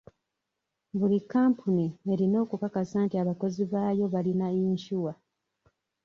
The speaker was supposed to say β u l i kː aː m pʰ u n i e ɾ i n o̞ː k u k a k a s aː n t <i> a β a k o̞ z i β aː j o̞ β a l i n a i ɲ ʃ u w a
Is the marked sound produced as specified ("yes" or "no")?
yes